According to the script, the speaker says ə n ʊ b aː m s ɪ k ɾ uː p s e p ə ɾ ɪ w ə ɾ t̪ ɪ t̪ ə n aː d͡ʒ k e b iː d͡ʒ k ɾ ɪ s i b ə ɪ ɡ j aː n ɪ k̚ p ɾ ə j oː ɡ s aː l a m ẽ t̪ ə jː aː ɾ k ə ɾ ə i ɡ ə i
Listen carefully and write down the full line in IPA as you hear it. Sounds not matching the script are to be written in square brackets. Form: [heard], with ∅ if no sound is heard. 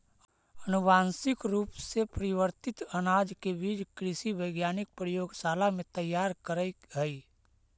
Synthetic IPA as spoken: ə n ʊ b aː [n] s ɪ k ɾ uː p s e p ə ɾ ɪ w ə ɾ t̪ ɪ t̪ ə n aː d͡ʒ k e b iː d͡ʒ k ɾ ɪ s i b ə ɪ ɡ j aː n ɪ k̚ p ɾ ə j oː ɡ s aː l a m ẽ t̪ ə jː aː ɾ k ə ɾ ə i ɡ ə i